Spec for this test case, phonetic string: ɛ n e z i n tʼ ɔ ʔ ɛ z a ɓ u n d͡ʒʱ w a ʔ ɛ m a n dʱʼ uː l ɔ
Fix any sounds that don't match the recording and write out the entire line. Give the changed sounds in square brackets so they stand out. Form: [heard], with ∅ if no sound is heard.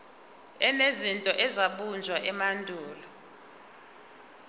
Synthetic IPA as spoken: ɛ n e z i n tʼ ɔ ʔ ɛ z a ɓ u n d͡ʒʱ w a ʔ ɛ m a n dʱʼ uː l ɔ